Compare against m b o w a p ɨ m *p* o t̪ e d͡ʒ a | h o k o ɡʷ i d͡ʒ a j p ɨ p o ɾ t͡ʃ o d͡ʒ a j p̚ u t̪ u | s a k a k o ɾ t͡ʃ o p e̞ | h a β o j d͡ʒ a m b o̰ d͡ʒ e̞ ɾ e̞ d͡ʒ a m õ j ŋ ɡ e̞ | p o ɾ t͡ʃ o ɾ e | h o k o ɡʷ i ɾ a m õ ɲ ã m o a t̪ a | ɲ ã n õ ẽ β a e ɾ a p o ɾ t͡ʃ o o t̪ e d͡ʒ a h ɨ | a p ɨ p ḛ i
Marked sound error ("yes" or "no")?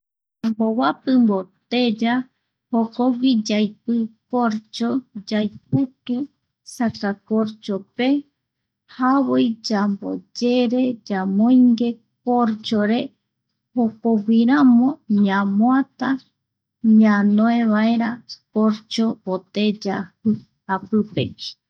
yes